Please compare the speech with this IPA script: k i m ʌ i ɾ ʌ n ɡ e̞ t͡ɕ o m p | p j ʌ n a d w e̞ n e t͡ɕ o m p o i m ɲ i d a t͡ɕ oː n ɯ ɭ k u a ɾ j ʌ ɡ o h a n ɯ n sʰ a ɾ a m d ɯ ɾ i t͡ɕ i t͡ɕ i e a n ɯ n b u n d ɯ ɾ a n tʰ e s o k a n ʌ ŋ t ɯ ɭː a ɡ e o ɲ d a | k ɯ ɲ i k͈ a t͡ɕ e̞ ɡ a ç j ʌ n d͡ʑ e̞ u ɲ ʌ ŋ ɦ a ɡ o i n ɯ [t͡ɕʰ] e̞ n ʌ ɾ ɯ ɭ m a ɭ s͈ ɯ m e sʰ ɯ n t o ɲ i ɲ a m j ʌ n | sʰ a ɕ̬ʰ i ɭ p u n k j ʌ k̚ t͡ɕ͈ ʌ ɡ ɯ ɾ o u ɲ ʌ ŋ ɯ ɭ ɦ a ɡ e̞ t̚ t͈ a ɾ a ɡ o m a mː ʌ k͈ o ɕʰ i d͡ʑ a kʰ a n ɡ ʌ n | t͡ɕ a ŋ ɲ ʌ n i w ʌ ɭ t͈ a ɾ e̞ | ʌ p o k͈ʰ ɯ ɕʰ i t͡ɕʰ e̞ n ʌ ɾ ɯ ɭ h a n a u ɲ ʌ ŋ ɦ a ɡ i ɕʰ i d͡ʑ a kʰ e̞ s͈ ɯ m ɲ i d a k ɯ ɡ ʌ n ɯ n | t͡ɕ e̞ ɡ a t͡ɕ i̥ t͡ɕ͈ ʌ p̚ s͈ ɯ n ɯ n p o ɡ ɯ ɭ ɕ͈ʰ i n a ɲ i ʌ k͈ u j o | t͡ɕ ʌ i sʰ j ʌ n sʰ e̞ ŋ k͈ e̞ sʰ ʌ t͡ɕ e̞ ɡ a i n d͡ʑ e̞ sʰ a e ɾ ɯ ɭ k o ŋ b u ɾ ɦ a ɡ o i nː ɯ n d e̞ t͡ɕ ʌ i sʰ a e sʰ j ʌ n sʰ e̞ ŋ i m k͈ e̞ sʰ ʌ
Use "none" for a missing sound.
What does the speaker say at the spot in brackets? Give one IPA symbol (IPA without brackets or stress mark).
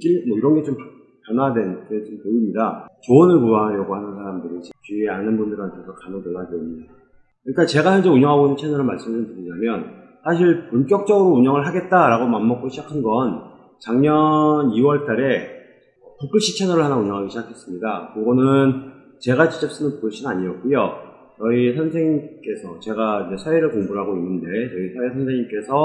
t͡ɕʰ